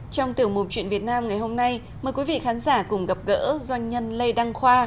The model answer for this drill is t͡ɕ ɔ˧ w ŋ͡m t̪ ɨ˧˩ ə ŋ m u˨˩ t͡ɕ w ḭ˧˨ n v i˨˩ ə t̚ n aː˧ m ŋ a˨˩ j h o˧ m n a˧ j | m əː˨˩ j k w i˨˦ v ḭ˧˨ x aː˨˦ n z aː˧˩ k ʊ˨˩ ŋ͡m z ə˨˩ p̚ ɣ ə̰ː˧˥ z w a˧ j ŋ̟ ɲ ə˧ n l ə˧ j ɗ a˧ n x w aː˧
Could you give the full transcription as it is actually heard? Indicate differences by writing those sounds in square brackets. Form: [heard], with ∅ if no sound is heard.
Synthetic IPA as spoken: t͡ɕ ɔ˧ w ŋ͡m t̪ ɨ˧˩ ə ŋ m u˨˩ t͡ɕ w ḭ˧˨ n v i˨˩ ə t̚ n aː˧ m ŋ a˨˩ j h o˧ m n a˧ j | m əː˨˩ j k w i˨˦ v ḭ˧˨ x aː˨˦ n z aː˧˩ k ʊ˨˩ ŋ͡m [ɣ] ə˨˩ p̚ ɣ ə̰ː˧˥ z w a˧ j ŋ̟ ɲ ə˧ n l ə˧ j ɗ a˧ [ŋ] x w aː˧